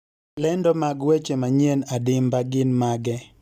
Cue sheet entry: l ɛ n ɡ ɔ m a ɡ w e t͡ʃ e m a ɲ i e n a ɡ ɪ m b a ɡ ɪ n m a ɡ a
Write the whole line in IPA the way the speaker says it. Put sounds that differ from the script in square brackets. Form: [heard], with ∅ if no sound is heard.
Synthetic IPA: l ɛ n [d] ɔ m a ɡ w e t͡ʃ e m a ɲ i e n a [d] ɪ m b a ɡ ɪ n m a ɡ [ɛ]